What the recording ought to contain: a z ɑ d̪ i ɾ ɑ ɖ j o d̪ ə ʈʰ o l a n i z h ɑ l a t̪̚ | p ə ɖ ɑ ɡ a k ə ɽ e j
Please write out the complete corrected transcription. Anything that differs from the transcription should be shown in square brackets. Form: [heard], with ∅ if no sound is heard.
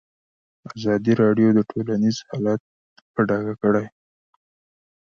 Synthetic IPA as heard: a z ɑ d̪ i ɾ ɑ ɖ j o d̪ ə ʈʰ o l a n i z h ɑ l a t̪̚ | p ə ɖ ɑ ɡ a k ə ɽ [a] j